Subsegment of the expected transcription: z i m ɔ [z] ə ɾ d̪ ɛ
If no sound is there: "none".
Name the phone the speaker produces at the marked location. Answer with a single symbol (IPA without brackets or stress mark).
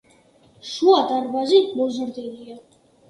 z